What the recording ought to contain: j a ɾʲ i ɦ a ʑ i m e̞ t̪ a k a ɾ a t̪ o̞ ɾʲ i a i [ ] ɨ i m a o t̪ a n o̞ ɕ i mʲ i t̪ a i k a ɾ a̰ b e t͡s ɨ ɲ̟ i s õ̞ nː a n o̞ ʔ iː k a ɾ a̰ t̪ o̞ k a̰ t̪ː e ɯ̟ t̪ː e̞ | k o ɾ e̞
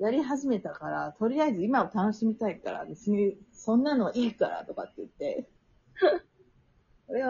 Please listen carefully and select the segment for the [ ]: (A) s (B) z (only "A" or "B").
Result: B